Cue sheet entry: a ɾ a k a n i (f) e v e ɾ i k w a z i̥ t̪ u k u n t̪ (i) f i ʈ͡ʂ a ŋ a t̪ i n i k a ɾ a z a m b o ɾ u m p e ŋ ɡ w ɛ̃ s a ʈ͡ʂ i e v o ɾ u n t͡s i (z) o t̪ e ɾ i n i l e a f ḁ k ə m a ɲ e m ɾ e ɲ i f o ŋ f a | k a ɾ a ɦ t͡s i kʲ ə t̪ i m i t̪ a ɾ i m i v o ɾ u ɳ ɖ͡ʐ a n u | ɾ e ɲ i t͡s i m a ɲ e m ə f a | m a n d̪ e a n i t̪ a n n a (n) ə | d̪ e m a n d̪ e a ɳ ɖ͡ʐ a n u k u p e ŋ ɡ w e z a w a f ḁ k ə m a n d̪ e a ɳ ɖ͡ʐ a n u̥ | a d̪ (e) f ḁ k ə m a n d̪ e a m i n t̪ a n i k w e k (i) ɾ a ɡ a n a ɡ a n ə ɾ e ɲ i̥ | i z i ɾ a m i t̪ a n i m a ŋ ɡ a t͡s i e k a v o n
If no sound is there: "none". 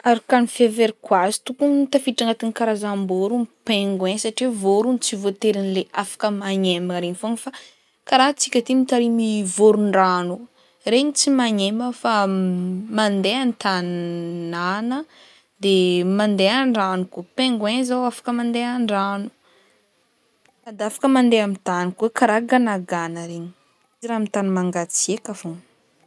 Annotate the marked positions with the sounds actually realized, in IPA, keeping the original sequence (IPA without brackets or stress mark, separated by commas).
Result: f, a, v, n, a, a